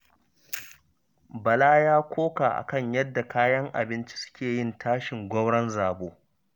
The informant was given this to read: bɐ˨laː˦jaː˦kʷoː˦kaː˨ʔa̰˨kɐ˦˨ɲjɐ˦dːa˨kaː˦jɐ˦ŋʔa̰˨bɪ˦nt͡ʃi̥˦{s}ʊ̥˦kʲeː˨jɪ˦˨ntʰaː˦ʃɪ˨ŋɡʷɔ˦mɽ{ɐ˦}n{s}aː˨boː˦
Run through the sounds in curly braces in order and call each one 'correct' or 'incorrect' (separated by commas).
correct, correct, incorrect